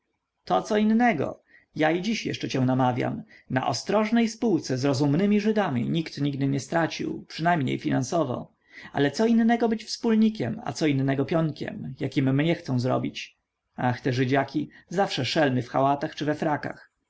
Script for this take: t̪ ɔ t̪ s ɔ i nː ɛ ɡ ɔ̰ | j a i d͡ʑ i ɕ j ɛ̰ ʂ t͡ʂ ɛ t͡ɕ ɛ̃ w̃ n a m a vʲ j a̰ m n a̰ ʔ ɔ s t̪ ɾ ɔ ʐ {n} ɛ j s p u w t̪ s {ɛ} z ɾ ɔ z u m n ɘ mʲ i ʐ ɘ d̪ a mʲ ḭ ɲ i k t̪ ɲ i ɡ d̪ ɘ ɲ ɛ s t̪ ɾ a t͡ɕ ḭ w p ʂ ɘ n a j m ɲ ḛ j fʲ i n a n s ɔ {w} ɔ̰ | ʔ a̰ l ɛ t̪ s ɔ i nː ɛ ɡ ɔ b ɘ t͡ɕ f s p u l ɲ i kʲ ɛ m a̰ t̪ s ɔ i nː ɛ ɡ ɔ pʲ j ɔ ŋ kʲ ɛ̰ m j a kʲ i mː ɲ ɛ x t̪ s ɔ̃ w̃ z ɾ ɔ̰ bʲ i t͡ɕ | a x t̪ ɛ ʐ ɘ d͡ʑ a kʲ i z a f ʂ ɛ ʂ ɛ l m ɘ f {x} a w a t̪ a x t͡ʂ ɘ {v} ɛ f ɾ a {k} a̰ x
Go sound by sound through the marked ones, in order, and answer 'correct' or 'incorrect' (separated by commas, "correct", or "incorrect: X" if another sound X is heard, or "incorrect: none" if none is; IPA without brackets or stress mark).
correct, correct, incorrect: v, correct, correct, correct